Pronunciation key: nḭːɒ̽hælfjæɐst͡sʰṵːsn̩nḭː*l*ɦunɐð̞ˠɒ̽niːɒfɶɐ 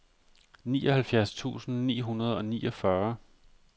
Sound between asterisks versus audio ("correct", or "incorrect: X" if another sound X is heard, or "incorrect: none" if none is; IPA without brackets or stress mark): incorrect: none